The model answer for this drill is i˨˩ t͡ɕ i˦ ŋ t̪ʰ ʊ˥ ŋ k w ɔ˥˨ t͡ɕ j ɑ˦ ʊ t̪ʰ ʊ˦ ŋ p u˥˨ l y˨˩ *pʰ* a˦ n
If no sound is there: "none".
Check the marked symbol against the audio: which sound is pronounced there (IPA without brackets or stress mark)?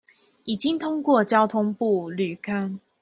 kʰ